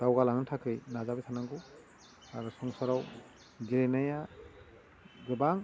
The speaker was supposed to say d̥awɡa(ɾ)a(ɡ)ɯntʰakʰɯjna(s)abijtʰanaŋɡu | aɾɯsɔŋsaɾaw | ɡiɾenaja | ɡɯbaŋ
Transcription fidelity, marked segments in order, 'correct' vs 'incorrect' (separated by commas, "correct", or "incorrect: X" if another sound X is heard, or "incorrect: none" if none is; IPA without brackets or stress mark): incorrect: l, incorrect: ŋ, incorrect: z